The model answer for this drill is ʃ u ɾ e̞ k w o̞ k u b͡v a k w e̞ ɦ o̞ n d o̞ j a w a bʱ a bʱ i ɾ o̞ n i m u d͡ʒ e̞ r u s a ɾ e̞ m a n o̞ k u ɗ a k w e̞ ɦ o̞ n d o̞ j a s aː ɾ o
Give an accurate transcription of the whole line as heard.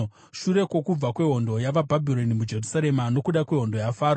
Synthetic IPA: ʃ u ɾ e̞ k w o̞ k u b͡v a k w e̞ ɦ o̞ n d o̞ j a ʋ a bʱ a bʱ i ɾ o̞ n i m u d͡ʒ e̞ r u s a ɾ e̞ m a n o̞ k u ɗ a k w e̞ ɦ o̞ n d o̞ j a f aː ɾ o